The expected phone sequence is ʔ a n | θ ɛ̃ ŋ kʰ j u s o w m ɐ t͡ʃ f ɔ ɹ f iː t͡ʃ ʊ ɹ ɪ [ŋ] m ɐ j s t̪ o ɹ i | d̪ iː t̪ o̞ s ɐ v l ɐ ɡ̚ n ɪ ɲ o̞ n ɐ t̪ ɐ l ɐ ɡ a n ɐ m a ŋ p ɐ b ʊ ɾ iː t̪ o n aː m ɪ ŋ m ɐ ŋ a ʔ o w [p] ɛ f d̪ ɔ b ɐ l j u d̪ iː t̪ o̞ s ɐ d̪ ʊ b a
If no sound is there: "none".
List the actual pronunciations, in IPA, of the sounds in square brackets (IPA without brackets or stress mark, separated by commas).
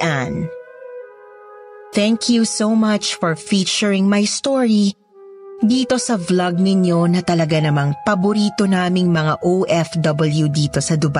ŋ, ʔ